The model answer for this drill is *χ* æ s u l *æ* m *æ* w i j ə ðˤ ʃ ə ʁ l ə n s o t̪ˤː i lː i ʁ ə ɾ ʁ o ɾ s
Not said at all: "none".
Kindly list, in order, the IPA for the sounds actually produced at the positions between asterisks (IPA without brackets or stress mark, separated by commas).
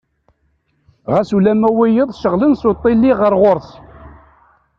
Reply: ʁ, æ, æ